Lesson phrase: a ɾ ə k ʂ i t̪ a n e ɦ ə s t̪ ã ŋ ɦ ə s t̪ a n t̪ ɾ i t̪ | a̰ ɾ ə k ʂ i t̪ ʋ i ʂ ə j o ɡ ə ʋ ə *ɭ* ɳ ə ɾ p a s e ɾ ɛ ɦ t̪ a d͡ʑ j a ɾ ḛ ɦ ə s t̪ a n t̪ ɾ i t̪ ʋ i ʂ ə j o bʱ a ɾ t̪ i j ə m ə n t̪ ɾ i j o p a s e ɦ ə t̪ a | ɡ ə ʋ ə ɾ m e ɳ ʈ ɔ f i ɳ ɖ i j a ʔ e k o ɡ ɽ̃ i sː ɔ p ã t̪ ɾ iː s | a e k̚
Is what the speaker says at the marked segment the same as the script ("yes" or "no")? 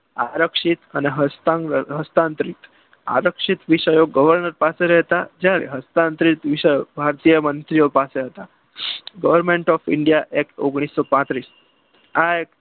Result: no